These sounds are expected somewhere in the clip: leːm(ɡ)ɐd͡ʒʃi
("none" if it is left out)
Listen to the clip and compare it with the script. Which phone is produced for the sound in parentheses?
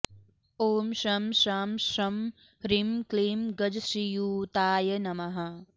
ɡ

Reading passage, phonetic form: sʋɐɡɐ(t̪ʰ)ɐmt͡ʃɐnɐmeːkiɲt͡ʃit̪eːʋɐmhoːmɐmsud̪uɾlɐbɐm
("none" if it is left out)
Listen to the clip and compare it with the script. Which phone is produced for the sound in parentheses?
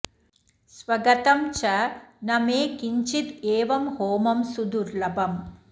t̪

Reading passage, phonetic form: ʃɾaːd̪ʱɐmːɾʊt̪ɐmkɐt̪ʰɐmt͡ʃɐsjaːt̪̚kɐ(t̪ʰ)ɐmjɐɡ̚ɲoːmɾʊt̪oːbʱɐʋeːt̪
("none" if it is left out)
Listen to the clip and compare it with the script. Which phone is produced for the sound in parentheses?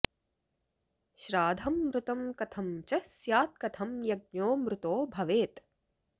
t̪ʰ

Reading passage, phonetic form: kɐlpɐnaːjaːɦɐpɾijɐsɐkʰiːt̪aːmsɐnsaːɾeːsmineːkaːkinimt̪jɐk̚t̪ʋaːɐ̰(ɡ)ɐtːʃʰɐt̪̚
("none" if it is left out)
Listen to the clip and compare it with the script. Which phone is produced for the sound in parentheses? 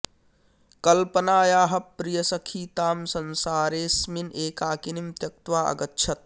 ɡ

